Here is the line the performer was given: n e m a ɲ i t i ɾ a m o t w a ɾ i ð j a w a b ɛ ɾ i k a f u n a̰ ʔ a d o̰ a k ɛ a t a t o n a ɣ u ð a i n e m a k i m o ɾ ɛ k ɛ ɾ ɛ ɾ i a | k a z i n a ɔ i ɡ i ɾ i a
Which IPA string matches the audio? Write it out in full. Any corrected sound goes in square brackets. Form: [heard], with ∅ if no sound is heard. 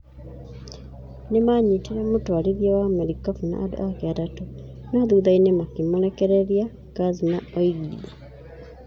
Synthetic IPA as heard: n e m a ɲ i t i ɾ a m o t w a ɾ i ð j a w a [m] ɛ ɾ i k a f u n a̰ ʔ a d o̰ a k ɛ a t a t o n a [ð] u ð a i n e m a k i m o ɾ ɛ k ɛ ɾ ɛ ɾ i a | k a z i n a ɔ i ɡ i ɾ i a